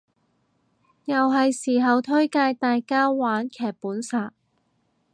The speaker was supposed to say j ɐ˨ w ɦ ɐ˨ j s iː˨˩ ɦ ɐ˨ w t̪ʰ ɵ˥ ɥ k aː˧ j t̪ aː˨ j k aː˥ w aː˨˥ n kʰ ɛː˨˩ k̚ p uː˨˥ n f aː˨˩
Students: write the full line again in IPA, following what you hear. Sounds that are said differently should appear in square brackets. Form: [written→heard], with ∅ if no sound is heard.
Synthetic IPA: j ɐ˨ w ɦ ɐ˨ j s iː˨˩ ɦ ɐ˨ w t̪ʰ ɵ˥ ɥ k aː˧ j t̪ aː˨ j k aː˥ w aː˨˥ n kʰ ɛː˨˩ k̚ p uː˨˥ n [f→s] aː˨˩